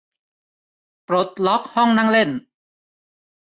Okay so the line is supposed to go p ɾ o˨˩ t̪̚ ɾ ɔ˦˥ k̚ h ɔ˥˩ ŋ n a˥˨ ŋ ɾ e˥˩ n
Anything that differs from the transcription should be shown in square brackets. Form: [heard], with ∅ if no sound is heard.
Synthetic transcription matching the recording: p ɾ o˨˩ t̪̚ [l] ɔ˦˥ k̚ h ɔ˥˩ ŋ n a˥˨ ŋ [l] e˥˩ n